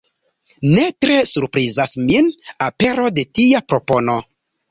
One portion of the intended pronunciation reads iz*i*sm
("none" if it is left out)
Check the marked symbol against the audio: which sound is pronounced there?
a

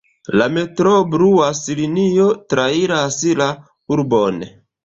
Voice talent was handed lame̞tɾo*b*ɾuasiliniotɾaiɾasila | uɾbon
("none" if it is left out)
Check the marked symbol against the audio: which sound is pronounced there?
b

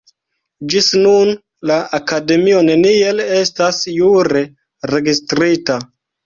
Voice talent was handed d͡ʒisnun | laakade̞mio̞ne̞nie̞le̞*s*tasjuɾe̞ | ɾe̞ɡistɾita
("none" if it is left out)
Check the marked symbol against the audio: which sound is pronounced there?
s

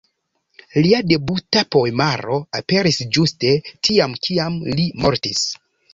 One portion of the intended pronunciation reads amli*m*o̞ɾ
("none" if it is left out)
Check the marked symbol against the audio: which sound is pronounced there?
m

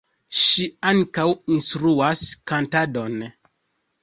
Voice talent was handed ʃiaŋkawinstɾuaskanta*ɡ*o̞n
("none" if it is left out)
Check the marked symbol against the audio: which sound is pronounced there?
d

